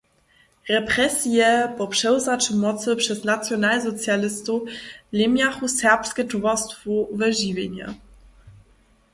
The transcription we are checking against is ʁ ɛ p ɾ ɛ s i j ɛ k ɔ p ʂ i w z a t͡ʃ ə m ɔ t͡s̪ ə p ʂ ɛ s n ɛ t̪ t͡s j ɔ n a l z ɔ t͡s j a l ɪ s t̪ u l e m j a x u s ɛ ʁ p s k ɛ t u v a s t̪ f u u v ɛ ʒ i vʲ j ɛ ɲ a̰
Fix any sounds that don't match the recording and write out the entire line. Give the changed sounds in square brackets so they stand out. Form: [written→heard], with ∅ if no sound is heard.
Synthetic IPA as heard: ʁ ɛ p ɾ ɛ s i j ɛ [k→p] ɔ p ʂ [i→ɛ] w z a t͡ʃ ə m ɔ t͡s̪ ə p ʂ ɛ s n [ɛ→a] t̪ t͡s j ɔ n a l z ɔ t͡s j a l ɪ s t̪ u l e m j a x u s ɛ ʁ p s k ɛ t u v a s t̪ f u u v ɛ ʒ i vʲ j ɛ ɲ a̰